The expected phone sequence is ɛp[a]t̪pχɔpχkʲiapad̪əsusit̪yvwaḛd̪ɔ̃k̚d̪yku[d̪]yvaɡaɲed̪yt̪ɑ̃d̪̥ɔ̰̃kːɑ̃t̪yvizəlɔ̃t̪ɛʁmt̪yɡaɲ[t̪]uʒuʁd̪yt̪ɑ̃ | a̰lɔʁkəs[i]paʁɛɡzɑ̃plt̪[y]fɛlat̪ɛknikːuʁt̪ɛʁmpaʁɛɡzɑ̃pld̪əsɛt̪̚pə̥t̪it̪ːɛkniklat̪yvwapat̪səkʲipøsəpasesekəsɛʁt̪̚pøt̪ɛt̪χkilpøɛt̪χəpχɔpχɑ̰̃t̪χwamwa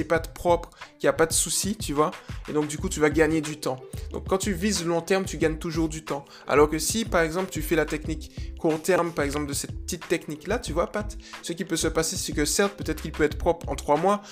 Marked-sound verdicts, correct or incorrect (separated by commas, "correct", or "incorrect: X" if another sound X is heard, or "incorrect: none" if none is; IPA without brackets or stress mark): correct, incorrect: t̪, correct, correct, correct